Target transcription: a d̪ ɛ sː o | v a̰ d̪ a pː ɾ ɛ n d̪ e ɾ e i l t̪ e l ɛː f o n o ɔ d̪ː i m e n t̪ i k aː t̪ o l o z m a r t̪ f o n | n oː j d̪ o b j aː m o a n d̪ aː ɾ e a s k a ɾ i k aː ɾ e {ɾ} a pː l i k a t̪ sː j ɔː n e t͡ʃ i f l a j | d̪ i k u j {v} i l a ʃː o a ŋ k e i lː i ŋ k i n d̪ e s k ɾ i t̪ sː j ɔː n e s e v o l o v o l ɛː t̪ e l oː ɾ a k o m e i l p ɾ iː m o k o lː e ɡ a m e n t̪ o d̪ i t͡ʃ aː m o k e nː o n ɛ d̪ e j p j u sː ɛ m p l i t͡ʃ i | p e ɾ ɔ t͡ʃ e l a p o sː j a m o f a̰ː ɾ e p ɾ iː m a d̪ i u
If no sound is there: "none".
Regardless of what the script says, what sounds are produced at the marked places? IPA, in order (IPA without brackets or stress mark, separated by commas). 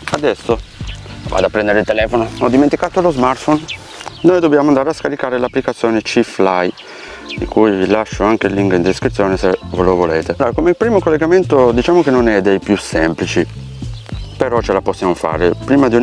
l, v